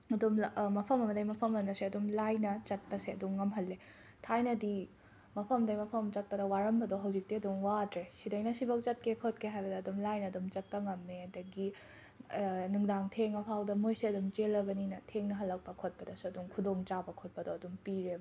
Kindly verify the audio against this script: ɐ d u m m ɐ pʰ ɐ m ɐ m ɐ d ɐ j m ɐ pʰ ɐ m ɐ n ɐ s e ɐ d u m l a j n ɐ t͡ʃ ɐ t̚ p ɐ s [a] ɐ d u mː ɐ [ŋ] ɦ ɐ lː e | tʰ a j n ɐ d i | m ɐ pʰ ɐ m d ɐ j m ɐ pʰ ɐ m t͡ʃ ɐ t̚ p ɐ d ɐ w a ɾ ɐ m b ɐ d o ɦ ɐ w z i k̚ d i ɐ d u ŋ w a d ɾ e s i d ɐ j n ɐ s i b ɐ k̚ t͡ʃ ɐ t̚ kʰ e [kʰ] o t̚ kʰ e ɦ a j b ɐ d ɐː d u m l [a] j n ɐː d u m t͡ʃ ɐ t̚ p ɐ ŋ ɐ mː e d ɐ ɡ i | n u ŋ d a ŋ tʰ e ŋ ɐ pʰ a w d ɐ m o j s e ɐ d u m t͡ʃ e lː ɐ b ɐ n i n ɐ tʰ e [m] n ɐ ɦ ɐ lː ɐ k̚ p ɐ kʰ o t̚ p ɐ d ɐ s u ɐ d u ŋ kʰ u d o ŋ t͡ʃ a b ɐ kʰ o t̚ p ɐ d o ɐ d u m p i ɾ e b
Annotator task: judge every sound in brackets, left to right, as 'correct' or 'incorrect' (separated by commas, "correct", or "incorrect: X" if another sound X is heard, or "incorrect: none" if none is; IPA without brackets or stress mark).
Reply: incorrect: e, incorrect: m, correct, correct, incorrect: ŋ